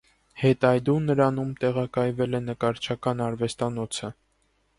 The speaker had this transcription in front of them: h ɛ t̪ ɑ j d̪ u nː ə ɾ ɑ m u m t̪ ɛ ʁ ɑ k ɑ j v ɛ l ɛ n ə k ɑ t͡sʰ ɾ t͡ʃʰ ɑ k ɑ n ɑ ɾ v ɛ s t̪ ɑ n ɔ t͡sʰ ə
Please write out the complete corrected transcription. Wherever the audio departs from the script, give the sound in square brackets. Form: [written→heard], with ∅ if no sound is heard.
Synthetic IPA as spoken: h ɛ t̪ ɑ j d̪ u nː ə ɾ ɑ [m→n] u m t̪ ɛ ʁ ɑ k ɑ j v ɛ l ɛ n ə k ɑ [t͡sʰ→∅] ɾ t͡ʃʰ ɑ k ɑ n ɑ ɾ v ɛ s t̪ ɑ n ɔ t͡sʰ ə